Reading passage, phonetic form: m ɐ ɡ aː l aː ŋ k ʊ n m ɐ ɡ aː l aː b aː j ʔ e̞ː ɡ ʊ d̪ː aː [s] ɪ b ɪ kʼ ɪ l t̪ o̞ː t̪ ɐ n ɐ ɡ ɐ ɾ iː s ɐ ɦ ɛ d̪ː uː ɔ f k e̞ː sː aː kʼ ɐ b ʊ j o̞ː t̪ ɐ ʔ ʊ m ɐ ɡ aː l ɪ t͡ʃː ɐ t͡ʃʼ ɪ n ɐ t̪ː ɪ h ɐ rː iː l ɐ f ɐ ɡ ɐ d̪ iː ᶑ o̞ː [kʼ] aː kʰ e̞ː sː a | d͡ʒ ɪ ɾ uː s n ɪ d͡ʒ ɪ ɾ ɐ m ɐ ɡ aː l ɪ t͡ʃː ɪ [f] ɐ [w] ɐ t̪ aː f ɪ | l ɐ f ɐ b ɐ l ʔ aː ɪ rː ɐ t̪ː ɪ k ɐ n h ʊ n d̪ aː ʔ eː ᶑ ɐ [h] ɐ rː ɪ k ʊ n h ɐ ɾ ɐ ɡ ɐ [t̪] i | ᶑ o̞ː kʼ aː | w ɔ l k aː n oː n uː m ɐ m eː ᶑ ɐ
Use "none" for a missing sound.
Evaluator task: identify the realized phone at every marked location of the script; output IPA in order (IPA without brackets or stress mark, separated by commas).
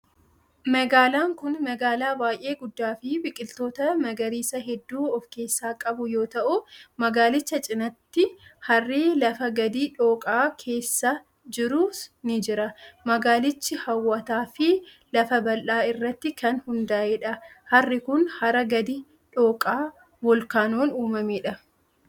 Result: f, kʼ, h, wː, h, d̪